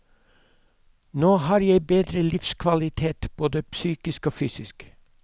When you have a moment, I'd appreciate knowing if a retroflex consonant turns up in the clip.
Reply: no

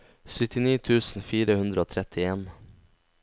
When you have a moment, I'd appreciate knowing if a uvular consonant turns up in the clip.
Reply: no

